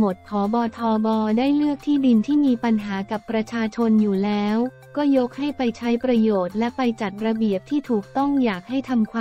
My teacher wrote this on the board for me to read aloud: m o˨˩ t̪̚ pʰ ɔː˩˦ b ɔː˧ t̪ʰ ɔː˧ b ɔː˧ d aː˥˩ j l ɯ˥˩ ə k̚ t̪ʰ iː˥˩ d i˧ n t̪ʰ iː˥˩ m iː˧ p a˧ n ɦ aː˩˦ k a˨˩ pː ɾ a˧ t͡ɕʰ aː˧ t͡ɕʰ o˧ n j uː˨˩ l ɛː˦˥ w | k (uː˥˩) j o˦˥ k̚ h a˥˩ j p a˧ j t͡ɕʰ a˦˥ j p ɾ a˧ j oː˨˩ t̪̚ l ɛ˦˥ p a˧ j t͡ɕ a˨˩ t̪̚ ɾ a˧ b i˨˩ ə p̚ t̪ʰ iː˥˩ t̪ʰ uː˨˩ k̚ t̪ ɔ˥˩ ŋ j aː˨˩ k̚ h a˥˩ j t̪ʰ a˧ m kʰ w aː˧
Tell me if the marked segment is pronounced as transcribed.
no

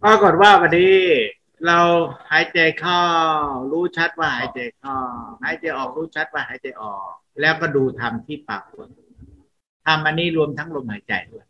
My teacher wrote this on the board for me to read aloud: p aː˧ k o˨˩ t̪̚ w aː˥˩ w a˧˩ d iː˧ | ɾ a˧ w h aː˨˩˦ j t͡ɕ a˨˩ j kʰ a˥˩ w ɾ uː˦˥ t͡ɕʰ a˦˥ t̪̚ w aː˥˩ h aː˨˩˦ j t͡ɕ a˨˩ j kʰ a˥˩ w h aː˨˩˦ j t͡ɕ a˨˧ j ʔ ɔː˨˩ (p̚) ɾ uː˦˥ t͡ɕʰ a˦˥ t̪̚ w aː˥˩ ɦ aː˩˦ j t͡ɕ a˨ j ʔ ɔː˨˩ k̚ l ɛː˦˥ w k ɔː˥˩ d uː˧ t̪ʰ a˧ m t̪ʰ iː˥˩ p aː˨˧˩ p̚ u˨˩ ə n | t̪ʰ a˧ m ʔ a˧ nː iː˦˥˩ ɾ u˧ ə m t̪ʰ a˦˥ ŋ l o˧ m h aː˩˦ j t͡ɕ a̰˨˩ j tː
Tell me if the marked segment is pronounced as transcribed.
no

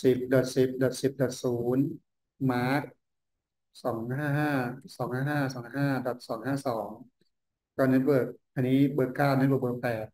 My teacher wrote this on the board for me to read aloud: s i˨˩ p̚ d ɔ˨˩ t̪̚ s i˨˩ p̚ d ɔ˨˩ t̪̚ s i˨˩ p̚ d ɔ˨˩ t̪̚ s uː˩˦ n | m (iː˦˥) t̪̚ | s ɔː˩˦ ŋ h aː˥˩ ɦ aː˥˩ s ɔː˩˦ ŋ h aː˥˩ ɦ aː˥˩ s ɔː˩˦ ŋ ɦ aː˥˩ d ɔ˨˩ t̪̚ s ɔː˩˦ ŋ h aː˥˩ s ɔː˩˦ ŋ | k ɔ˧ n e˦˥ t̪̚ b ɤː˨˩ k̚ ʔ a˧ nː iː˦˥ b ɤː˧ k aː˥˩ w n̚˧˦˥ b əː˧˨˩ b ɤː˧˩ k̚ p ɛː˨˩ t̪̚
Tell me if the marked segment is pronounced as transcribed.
no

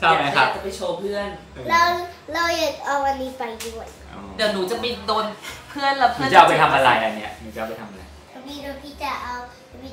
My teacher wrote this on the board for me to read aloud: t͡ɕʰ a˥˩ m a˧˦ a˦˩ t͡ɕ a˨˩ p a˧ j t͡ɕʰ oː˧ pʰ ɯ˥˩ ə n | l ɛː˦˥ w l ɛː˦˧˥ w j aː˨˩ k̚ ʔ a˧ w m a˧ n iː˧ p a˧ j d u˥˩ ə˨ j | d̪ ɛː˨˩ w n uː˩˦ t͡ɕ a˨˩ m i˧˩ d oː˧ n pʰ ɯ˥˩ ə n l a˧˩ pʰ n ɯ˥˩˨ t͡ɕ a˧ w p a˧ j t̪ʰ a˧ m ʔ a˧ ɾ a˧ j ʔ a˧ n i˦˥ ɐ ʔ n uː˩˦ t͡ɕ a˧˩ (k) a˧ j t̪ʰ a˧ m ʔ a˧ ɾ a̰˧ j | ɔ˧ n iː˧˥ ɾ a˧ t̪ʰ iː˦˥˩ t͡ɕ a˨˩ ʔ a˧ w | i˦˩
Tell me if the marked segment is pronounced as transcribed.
no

